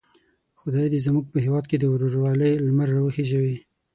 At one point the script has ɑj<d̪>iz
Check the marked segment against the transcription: correct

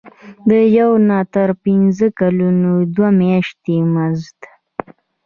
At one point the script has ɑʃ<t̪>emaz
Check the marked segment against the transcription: correct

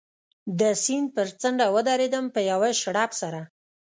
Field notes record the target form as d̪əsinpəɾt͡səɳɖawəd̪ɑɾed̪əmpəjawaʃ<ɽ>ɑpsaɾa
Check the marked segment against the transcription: correct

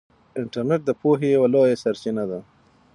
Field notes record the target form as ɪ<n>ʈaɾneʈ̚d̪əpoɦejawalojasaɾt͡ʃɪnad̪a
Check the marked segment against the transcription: incorrect: ɳ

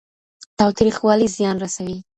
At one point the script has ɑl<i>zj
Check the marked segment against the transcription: correct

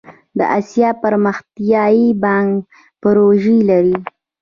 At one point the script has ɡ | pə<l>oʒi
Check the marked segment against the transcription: incorrect: ɾ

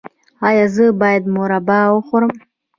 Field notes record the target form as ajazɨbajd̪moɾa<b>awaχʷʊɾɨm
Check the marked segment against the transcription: correct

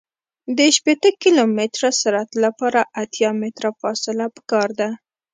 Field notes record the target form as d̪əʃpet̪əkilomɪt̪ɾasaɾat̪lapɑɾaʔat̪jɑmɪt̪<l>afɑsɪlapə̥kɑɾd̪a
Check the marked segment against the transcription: incorrect: ɾ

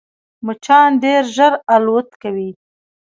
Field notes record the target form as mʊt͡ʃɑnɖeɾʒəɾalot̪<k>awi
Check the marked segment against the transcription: correct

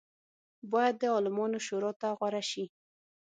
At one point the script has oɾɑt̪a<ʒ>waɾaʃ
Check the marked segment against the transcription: incorrect: ɣ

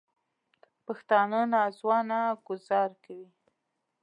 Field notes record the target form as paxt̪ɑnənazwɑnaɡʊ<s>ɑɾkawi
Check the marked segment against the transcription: incorrect: z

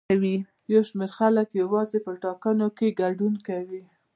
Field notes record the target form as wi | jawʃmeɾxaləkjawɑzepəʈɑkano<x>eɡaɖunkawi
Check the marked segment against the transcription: incorrect: k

